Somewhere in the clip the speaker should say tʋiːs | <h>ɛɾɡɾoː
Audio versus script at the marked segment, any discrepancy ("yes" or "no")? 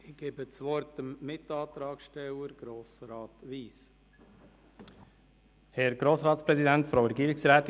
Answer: no